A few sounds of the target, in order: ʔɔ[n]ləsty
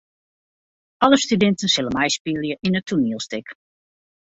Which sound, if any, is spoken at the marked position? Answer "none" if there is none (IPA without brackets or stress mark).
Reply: none